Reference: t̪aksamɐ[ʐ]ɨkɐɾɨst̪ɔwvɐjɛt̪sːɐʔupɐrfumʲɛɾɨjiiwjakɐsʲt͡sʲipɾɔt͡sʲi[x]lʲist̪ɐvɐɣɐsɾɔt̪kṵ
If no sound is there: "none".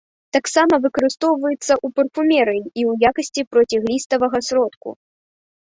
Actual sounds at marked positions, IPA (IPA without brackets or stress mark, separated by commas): v, ɣ